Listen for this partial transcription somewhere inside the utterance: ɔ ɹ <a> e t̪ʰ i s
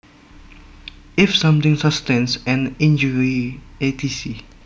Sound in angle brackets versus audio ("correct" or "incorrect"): incorrect